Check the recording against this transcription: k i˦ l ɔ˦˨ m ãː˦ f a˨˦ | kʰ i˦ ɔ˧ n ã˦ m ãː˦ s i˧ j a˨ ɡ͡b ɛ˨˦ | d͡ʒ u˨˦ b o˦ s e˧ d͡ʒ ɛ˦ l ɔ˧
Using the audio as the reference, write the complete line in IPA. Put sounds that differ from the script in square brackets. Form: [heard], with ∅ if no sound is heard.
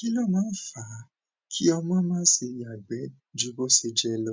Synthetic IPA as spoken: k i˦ l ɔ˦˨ m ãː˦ f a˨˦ | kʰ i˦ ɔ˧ [m] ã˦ m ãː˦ s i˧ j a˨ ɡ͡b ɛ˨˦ | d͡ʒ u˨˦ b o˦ s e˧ d͡ʒ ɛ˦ l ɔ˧